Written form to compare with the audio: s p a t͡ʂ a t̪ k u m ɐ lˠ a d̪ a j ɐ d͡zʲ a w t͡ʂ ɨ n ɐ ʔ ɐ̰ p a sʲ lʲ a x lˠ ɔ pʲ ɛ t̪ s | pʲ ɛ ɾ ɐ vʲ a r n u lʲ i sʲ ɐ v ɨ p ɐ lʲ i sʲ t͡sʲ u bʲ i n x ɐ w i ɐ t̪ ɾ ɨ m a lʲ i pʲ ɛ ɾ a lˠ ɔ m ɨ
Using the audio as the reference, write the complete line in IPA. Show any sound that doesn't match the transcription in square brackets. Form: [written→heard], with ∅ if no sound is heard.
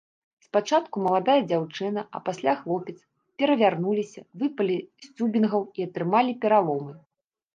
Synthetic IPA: s p a t͡ʂ a t̪ k u m ɐ lˠ a d̪ a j ɐ d͡zʲ a w t͡ʂ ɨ n ɐ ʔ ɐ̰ p a sʲ lʲ a x lˠ ɔ pʲ ɛ t̪ s | pʲ ɛ ɾ ɐ vʲ a r n u lʲ i sʲ ɐ v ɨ p ɐ lʲ i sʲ t͡sʲ u bʲ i n [x→ɣ] ɐ w i ɐ t̪ ɾ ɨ m a lʲ i pʲ ɛ ɾ a lˠ ɔ m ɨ